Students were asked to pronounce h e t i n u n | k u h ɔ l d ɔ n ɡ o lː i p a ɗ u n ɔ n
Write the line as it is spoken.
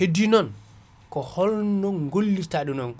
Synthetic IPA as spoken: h e d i n ɔ n | k ɔ h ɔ l n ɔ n ɡ o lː i t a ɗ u n ɔ n